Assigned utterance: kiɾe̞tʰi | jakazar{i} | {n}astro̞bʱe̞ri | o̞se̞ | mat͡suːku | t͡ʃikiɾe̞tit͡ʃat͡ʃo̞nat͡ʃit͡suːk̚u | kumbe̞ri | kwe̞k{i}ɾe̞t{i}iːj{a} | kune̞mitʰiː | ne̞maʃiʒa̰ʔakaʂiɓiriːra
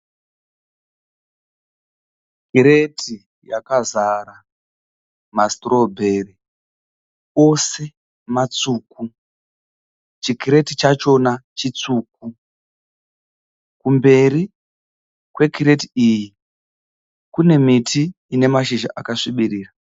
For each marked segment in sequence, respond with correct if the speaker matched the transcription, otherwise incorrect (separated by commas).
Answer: incorrect, incorrect, correct, correct, incorrect